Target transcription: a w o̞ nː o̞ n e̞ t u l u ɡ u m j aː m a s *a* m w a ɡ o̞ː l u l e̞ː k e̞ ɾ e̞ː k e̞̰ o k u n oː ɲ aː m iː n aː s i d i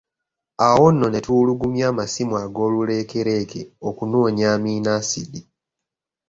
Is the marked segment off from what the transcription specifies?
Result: yes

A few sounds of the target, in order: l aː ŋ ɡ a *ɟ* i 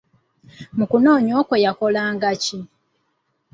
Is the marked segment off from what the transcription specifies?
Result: yes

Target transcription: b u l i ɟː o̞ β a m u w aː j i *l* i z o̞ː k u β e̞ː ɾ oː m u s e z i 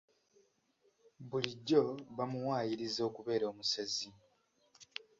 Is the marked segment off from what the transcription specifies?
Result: yes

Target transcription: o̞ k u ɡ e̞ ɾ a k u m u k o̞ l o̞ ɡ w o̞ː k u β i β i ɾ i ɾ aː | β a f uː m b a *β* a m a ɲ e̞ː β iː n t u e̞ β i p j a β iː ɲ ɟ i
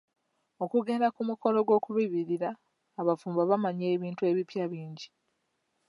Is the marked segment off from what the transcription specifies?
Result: no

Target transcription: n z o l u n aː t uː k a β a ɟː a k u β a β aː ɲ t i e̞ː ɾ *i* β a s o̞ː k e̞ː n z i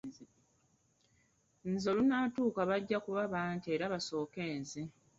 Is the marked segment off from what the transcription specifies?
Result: yes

